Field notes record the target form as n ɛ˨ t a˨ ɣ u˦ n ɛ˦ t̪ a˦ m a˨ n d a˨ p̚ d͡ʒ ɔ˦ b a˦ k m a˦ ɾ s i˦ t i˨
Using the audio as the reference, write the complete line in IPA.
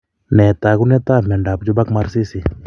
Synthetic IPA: n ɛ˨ t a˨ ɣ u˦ n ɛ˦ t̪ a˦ m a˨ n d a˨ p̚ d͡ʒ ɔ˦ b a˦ k m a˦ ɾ s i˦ s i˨